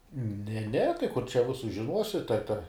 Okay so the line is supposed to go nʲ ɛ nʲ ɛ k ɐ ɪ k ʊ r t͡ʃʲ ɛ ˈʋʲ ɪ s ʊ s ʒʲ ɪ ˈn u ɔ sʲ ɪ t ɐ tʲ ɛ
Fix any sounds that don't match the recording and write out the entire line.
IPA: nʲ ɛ nʲ ɛ t ɐ ɪ k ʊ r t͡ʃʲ ɛ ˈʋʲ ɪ s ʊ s ʒʲ ɪ ˈn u ɔ sʲ ɪ t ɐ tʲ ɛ